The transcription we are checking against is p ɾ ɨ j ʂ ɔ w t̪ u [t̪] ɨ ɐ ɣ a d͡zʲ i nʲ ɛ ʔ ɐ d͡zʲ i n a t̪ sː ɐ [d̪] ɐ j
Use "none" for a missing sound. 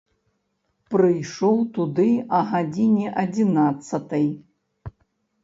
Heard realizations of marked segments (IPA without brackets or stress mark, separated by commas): d̪, t̪